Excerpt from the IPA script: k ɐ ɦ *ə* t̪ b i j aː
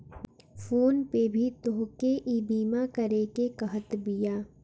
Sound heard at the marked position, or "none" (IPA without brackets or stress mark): ə